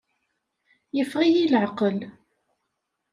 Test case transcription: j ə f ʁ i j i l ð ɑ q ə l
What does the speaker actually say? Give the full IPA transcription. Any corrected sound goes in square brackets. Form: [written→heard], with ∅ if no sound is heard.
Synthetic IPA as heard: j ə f ʁ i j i l [ð→ʕ] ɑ q ə l